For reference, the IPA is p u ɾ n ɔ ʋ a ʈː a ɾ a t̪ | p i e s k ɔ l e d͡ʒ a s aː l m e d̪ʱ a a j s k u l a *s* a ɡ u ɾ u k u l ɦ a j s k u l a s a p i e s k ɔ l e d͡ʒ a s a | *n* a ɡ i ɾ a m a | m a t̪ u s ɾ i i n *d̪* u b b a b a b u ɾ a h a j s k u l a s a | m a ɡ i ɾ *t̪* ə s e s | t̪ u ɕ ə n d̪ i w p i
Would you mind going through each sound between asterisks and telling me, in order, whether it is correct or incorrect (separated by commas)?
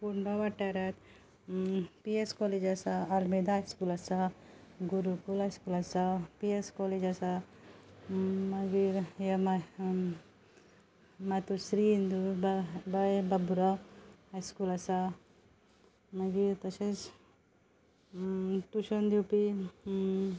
correct, incorrect, correct, correct